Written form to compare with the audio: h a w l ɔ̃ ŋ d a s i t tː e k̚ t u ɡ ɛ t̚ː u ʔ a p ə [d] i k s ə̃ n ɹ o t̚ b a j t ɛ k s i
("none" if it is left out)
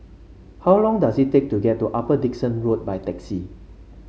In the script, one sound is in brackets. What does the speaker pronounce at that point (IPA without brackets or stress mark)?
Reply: d